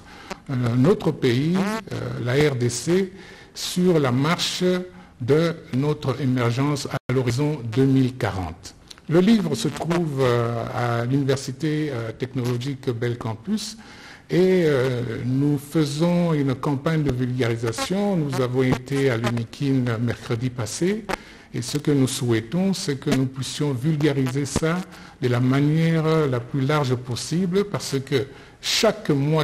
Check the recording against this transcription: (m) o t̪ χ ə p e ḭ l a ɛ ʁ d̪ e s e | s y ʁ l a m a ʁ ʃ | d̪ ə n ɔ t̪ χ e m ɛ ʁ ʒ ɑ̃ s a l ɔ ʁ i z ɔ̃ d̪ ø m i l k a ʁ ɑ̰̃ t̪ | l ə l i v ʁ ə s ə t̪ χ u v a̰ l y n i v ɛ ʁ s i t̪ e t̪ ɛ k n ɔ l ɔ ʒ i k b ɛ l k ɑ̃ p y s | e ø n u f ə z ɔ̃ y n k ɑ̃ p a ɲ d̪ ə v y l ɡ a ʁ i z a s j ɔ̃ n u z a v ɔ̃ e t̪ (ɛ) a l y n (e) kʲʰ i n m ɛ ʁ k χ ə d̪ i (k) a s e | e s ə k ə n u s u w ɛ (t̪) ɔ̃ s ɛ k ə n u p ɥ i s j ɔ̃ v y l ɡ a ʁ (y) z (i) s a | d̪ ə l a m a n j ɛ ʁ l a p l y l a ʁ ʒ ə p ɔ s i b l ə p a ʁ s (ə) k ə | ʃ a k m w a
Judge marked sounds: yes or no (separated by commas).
no, no, no, no, yes, no, no, yes